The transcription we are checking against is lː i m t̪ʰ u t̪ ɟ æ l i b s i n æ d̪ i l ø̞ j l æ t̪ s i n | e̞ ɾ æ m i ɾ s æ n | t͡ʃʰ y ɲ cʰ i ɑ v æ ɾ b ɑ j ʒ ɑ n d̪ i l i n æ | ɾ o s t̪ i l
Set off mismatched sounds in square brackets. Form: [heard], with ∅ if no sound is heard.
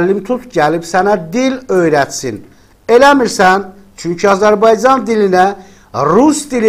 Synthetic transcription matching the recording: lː i m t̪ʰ u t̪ ɟ æ l i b s [æ] n æ d̪ i l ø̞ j [ɾ] æ t̪ s i n | e̞ [l] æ m i ɾ s æ n | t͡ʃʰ y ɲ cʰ i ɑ [z] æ ɾ b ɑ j [d͡ʒ] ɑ n d̪ i l i n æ | ɾ [u] s [d̪] i l